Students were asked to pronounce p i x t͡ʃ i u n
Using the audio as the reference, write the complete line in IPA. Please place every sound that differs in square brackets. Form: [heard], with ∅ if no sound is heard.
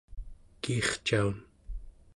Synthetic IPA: [k] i [χ] t͡ʃ [a] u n